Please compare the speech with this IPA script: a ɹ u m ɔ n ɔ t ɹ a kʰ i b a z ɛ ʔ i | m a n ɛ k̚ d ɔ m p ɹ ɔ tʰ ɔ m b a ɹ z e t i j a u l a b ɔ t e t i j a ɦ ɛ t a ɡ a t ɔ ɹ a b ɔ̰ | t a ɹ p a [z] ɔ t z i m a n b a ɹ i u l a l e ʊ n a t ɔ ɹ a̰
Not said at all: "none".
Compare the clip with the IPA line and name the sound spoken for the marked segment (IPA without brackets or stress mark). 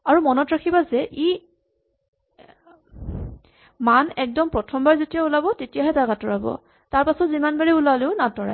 s